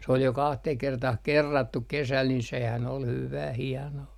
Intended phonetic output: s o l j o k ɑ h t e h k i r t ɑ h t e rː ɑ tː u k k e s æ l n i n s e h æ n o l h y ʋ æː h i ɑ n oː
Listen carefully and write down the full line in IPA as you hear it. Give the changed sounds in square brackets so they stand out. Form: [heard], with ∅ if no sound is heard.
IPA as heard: s o l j o k ɑ h t e h k [e] r t ɑ h [k] e rː ɑ tː u k k e s æ l n i n s e h æ n o l h y ʋ æː h i ɑ n oː